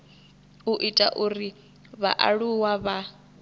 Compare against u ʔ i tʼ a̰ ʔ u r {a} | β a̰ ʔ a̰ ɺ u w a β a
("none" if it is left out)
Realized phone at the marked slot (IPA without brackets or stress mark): i